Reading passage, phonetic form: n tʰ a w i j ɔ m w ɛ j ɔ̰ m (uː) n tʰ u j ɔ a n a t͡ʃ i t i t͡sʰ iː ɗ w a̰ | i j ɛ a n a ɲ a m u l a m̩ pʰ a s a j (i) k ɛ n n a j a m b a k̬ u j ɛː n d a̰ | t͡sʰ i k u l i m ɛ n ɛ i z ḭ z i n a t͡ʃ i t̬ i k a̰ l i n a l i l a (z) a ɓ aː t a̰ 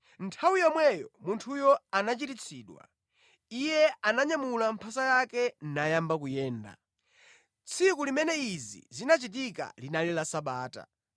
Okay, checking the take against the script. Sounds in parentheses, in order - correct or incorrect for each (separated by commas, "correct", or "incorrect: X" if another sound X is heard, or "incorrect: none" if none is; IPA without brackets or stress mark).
incorrect: u, incorrect: a, incorrect: s